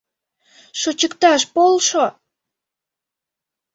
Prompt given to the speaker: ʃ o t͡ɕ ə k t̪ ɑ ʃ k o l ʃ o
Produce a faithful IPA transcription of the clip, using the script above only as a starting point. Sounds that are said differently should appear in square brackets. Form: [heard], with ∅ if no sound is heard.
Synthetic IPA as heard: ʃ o t͡ɕ ə k t̪ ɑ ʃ [p] o l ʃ o